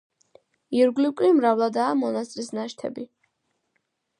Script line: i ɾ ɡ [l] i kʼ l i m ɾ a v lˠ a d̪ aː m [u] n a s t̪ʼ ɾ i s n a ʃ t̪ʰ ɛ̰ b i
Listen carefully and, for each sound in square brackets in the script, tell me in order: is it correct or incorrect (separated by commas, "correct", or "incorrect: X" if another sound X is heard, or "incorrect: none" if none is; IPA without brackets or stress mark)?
correct, incorrect: ɔ